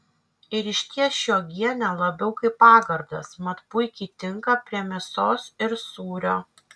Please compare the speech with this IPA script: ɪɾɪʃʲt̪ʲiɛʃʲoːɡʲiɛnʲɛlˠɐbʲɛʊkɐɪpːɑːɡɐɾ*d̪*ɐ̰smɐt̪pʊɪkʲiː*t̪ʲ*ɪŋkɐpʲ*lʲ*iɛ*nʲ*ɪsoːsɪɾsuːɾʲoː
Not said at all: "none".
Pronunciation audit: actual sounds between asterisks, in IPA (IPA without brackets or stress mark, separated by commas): d̪, t̪ʲ, ɾʲ, mʲ